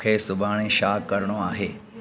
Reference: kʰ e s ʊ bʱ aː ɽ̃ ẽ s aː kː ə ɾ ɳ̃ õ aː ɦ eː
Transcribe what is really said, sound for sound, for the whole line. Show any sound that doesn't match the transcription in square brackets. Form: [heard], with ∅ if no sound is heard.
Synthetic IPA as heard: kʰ e s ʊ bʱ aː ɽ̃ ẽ [ʃ] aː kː ə ɾ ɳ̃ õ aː ɦ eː